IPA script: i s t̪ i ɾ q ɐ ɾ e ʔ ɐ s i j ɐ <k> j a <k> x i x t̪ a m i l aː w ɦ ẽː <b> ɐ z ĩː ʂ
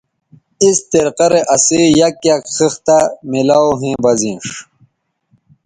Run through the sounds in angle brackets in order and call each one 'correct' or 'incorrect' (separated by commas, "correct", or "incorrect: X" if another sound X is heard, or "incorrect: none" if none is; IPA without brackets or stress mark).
correct, correct, correct